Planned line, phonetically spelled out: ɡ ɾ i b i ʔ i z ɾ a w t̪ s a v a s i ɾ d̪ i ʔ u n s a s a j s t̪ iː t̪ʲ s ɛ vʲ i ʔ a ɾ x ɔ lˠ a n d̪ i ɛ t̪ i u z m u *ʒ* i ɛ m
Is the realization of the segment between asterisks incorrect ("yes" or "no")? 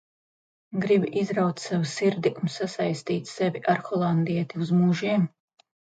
no